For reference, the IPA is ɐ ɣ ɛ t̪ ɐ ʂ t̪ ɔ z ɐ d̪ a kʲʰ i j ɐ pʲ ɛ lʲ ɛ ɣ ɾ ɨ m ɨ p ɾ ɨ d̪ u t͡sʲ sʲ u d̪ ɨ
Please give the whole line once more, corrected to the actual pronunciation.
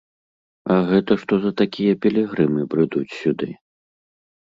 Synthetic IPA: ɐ ɣ ɛ t̪ ɐ ʂ t̪ ɔ z ɐ t̪ a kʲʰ i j ɐ pʲ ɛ lʲ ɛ ɣ ɾ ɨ m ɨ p ɾ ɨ d̪ u t͡sʲ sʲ u d̪ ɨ

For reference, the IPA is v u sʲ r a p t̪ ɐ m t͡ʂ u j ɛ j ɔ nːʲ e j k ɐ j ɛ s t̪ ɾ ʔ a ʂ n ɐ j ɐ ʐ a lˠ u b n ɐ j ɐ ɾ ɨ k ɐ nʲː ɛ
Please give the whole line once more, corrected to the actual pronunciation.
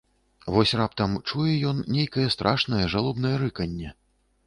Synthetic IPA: v ɔ sʲ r a p t̪ ɐ m t͡ʂ u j ɛ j ɔ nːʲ e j k ɐ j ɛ s t̪ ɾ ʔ a ʂ n ɐ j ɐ ʐ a lˠ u b n ɐ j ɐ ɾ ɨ k ɐ nʲː ɛ

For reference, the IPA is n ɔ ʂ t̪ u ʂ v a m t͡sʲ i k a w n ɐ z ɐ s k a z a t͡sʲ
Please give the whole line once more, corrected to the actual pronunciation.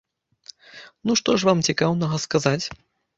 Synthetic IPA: n u ʂ t̪ ɔ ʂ v a m t͡sʲ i k a w n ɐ ɣ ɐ s k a z a t͡sʲ

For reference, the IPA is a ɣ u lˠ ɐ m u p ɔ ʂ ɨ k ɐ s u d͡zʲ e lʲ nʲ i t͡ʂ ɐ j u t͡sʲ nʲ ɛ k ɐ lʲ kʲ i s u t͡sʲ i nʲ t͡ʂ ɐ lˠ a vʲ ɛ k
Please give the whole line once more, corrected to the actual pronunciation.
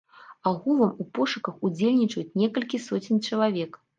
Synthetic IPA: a ɣ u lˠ ɐ m u p ɔ ʂ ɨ k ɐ x u d͡zʲ e lʲ nʲ i t͡ʂ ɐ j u t͡sʲ nʲ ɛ k ɐ lʲ kʲ i s ɔ t͡sʲ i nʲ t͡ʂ ɐ lˠ a vʲ ɛ k

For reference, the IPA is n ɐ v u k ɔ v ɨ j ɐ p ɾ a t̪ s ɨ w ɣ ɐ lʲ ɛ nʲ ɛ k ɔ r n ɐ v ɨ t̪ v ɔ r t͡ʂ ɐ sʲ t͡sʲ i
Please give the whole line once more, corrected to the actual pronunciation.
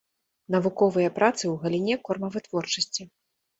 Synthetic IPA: n ɐ v u k ɔ v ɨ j ɐ p ɾ a t̪ s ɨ w ɣ ɐ lʲ i nʲ ɛ k ɔ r m ɐ v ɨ t̪ v ɔ r t͡ʂ ɐ sʲ t͡sʲ i

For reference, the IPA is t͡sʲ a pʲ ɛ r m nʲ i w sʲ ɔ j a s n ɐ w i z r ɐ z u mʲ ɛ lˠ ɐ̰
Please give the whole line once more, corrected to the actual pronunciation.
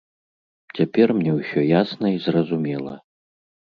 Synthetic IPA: t͡sʲ a pʲ ɛ r m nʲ ɛ w sʲ ɔ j a s n ɐ i z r ɐ z u mʲ ɛ lˠ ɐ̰

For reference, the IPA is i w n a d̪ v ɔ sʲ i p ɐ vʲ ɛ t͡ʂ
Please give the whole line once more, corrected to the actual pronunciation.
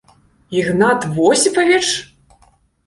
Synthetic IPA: i ɣ n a t̪ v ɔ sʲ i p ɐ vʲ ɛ t͡ʂ

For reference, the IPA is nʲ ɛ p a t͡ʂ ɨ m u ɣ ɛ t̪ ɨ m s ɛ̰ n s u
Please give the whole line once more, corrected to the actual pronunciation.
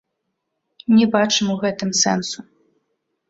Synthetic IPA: nʲ ɛ b a t͡ʂ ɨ m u ɣ ɛ t̪ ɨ m s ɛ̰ n s u

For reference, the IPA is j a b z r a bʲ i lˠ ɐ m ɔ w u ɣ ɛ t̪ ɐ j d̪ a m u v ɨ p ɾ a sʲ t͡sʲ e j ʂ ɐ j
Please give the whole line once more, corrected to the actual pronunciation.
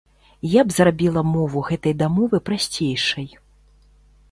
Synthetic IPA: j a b z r a bʲ i lˠ ɐ m ɔ v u ɣ ɛ t̪ ɐ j d̪ a m ɔ v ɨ p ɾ a sʲ t͡sʲ e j ʂ ɐ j

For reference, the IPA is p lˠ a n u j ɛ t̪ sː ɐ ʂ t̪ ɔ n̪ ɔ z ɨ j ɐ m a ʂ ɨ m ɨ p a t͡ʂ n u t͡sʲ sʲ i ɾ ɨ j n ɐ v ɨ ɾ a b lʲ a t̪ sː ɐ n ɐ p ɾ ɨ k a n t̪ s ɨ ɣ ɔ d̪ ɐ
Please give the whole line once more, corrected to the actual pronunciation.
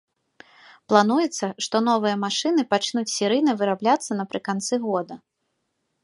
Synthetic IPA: p lˠ a n u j ɛ t̪ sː ɐ ʂ t̪ ɔ n̪ ɔ v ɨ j ɐ m a ʂ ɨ n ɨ p a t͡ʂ n u t͡sʲ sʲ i ɾ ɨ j n ɐ v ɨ ɾ a b lʲ a t̪ sː ɐ n ɐ p ɾ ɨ k a n t̪ s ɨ ɣ ɔ d̪ ɐ

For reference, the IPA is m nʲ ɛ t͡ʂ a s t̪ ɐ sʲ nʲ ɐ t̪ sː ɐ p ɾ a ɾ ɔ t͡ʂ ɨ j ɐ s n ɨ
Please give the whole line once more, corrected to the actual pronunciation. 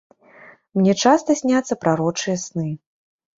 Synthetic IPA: m nʲ ɛ t͡ʂ a s t̪ ɐ sʲ nʲ a t̪ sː ɐ p ɾ a ɾ ɔ t͡ʂ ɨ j ɐ s n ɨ

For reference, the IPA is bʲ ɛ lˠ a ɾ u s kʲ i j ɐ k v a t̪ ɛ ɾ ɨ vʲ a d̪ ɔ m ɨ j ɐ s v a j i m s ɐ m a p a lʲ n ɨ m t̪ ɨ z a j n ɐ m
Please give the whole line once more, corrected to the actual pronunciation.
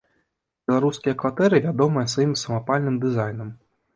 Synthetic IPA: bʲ ɛ lˠ a ɾ u s kʲ i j ɐ k v a t̪ ɛ ɾ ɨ vʲ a d̪ ɔ m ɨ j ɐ s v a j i m s ɐ m a p a lʲ n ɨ m d̪ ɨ z a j n ɐ m

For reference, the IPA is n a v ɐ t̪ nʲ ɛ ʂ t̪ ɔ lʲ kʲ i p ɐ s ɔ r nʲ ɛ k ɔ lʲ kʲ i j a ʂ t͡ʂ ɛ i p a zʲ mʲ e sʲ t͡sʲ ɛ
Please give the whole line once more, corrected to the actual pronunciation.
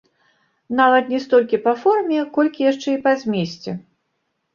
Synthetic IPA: n a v ɐ t̪ nʲ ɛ s t̪ ɔ lʲ kʲ i p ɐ f ɔ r mʲ ɛ k ɔ lʲ kʲ i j a ʂ t͡ʂ ɛ i p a zʲ mʲ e sʲ t͡sʲ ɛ

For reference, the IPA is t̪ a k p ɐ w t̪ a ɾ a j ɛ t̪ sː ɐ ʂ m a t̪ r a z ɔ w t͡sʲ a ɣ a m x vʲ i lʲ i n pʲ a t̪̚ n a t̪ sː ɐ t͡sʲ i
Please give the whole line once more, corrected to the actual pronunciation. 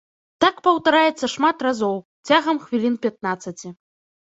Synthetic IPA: t̪ a k p ɐ w t̪ a ɾ a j ɛ t̪ sː ɐ ʂ m a t̪ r a z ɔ w t͡sʲ a ɣ ɐ m x vʲ i lʲ i n pʲ a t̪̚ n a t̪ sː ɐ t͡sʲ i

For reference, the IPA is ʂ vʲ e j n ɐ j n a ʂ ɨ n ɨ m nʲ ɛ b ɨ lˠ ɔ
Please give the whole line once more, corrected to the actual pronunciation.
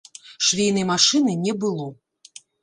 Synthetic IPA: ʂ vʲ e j n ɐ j m a ʂ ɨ n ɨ nʲ ɛ b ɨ lˠ ɔ

